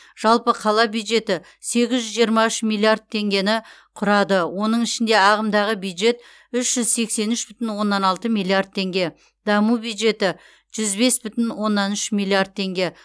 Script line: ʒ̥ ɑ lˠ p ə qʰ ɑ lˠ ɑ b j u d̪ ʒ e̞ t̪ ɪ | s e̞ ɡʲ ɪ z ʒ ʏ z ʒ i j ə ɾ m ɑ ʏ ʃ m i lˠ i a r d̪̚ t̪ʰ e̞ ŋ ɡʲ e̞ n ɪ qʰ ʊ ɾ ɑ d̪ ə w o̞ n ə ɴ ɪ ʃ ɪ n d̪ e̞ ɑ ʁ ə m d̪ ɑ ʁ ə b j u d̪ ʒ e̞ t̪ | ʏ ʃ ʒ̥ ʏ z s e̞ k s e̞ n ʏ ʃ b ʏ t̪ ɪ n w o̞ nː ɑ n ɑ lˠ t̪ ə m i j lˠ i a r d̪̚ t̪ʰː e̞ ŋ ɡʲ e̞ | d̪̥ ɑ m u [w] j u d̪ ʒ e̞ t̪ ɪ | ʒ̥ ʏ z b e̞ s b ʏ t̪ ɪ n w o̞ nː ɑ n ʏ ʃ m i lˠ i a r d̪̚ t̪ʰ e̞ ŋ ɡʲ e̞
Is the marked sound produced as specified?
no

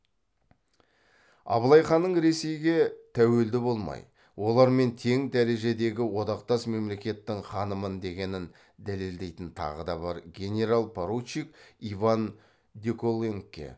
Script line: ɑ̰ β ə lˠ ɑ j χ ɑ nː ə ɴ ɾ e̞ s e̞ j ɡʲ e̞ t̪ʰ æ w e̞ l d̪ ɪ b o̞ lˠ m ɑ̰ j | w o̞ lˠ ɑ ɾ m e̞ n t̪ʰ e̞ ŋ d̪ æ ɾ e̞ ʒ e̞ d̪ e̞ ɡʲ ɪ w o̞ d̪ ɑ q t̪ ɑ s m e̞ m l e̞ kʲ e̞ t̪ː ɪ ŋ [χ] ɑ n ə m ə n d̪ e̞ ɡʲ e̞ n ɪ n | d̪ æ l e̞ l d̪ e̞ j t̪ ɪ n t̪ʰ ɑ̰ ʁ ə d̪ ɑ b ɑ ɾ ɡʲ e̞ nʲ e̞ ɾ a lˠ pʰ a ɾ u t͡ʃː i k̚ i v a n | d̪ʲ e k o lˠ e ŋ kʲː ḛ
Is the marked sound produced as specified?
yes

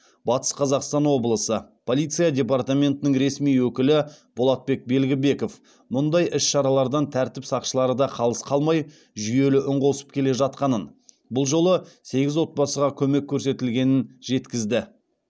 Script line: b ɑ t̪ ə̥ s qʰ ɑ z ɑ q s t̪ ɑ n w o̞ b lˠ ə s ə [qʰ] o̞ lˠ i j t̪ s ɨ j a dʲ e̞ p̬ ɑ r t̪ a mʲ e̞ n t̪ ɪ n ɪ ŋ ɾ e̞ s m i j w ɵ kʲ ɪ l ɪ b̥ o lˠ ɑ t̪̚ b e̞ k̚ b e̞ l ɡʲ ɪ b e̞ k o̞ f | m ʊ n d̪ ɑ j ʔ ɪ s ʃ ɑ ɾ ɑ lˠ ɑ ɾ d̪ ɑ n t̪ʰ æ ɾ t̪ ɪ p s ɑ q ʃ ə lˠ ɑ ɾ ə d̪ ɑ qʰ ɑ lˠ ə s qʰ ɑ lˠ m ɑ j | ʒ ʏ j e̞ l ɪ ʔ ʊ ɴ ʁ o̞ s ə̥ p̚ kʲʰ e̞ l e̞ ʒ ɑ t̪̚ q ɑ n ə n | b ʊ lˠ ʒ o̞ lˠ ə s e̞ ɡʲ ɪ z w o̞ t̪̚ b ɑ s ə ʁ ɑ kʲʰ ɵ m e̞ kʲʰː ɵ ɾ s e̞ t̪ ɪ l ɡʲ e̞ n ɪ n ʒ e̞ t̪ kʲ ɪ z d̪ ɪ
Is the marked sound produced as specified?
no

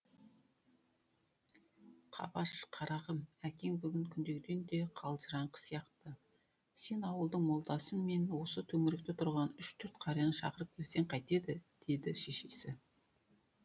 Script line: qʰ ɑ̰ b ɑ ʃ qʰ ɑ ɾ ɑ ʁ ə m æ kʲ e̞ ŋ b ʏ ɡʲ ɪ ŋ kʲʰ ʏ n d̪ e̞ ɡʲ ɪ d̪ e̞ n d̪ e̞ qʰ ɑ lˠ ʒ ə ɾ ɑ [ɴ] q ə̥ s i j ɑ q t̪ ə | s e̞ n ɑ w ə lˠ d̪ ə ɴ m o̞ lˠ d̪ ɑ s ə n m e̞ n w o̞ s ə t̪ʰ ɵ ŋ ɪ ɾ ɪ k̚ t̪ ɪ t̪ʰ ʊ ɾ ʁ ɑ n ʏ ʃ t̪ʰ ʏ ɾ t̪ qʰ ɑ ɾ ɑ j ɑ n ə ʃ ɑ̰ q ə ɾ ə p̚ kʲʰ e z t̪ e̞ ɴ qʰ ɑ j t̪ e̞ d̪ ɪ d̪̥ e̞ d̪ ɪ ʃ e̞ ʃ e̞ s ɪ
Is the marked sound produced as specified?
yes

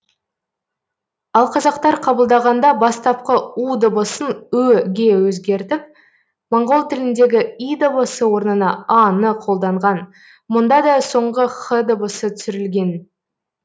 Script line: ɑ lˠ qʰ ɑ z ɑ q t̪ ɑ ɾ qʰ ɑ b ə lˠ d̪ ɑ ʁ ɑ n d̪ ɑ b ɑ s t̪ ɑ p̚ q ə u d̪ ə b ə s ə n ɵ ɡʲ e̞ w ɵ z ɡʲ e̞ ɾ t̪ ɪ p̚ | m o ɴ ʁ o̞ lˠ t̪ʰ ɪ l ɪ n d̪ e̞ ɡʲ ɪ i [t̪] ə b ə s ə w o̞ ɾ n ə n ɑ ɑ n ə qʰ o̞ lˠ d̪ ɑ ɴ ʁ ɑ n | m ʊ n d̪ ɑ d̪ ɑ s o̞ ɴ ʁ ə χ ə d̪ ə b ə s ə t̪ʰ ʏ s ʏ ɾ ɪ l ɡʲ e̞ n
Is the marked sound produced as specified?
no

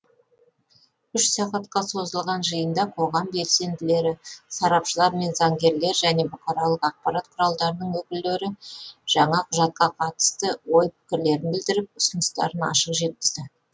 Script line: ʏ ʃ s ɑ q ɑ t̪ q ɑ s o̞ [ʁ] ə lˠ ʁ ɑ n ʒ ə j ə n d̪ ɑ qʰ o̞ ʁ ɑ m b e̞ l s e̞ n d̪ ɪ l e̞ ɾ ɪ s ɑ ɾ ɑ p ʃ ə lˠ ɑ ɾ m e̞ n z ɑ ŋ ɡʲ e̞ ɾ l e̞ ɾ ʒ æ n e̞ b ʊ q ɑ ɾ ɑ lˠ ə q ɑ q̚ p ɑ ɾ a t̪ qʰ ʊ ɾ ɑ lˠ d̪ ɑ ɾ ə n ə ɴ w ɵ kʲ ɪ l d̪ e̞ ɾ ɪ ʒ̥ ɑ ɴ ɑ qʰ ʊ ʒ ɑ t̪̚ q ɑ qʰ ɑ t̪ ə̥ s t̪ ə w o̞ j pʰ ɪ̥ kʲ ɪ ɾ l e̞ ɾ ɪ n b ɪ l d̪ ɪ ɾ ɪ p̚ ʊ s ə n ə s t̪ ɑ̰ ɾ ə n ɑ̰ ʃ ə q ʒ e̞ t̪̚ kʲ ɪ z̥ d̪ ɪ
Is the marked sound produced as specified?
no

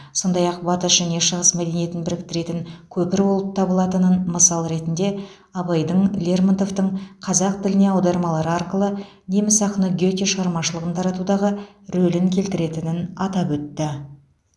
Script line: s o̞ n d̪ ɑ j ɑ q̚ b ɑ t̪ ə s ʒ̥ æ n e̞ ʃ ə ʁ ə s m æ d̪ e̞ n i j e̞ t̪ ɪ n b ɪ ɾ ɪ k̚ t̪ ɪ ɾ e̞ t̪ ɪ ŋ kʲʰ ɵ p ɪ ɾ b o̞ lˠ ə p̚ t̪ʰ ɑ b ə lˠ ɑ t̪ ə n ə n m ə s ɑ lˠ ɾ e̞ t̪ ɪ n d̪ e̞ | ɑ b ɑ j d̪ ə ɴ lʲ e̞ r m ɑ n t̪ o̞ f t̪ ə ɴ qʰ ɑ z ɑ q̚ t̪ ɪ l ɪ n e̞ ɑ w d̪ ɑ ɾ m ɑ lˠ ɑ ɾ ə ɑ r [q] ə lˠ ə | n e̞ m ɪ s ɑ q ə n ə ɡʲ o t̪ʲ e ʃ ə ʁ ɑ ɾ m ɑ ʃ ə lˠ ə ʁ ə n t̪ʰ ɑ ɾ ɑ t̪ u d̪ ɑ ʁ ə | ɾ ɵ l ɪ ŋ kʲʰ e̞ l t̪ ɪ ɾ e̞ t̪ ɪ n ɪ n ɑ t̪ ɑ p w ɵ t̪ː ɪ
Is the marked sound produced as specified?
yes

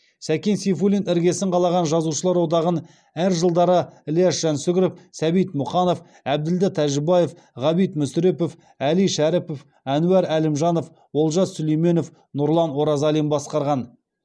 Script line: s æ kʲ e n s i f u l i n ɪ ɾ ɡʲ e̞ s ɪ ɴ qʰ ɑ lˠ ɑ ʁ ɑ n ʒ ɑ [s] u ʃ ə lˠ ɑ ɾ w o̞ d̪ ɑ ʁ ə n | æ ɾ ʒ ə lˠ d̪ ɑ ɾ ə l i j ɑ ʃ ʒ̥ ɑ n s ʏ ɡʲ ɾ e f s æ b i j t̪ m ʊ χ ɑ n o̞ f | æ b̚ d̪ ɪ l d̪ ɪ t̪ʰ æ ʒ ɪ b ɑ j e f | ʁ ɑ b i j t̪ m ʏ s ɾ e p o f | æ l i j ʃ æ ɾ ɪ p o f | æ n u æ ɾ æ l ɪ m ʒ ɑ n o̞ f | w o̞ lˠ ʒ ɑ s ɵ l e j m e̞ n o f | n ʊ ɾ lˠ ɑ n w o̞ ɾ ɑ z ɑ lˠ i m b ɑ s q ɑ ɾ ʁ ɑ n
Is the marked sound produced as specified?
no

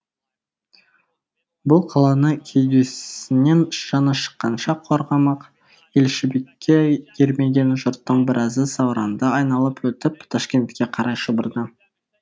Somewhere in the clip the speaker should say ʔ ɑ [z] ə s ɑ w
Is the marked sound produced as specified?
yes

